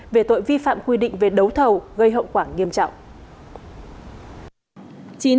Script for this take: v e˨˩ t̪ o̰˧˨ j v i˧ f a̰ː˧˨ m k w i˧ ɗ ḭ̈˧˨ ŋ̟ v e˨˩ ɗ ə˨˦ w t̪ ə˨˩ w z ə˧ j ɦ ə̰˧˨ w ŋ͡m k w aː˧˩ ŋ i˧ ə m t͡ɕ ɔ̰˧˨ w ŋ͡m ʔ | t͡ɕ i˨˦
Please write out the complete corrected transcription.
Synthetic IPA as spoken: v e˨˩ t̪ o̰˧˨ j v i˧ f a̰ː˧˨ m k w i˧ ɗ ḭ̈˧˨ ŋ̟ v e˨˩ ɗ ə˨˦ w t̪ʰ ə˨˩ w ɣ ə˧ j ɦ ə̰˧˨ w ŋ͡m k w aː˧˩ ŋ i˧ ə m t͡ɕ ɔ̰˧˨ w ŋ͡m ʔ | t͡ɕ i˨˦